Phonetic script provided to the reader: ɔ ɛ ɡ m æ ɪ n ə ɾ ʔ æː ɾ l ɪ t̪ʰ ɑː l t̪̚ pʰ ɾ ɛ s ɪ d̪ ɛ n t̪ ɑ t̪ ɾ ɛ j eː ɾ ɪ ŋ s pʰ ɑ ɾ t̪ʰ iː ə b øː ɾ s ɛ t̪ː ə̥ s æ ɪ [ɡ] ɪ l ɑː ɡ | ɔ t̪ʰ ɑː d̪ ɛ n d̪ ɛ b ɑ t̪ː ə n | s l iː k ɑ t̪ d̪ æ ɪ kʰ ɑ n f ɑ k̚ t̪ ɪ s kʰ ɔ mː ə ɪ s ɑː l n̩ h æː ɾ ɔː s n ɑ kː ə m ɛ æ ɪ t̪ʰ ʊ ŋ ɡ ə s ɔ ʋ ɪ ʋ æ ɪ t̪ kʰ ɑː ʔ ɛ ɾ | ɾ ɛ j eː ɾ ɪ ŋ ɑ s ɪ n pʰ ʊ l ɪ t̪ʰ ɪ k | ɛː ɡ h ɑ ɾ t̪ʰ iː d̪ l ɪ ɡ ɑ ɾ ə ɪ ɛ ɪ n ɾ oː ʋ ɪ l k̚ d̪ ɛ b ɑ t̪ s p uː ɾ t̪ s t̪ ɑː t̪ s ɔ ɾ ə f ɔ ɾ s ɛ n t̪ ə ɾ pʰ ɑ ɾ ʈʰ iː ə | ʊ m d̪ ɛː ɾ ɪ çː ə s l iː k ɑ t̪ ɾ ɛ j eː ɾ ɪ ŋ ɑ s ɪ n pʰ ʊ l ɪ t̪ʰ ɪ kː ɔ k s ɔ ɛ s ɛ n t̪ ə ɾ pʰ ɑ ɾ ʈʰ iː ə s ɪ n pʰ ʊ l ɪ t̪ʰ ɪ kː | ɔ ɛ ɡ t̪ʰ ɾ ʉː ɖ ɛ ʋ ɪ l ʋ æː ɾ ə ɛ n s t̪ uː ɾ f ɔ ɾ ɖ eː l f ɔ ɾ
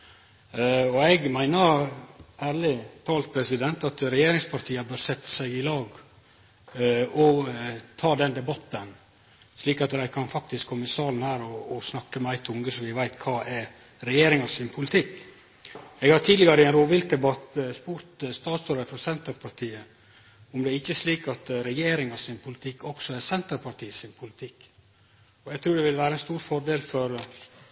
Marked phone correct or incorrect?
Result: correct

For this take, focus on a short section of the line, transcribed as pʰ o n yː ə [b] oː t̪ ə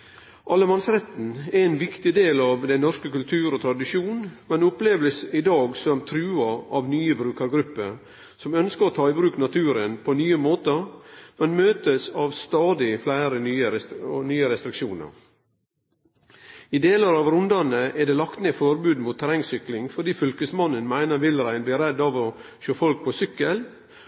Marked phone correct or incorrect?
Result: incorrect: m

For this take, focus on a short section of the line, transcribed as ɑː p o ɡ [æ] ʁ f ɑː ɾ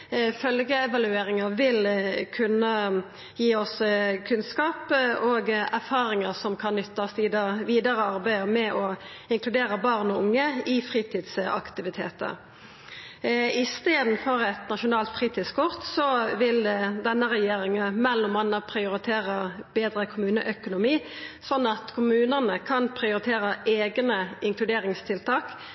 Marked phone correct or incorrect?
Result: correct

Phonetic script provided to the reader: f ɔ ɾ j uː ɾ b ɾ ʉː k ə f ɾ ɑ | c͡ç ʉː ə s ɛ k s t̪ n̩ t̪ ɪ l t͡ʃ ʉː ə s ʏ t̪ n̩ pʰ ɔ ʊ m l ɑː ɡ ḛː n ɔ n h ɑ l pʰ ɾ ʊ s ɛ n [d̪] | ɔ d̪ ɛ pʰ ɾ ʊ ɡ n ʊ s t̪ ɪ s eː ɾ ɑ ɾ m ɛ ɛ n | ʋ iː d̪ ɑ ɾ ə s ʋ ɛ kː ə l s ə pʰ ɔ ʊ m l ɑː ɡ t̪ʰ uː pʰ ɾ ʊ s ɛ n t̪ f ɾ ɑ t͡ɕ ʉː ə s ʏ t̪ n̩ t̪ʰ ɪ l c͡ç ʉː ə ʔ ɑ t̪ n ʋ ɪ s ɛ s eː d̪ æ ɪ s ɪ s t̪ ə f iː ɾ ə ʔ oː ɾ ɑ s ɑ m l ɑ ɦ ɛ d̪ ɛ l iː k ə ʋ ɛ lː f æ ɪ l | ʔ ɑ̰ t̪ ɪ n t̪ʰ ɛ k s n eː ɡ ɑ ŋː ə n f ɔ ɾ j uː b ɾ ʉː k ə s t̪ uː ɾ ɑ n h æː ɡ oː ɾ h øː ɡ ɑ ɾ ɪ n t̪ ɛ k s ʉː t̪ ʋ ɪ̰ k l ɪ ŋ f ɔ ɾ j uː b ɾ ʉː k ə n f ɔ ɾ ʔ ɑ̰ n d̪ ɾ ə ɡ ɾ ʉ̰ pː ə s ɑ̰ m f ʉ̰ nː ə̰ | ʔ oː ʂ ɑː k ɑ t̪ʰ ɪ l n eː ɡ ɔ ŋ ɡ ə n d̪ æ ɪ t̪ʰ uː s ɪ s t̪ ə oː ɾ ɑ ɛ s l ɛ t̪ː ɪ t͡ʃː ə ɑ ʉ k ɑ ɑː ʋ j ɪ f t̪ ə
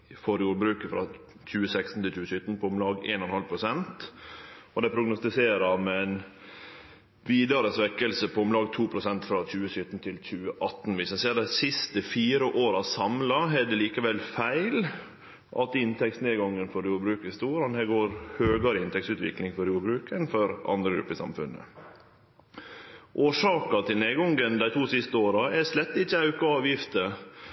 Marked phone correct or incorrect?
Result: incorrect: t̪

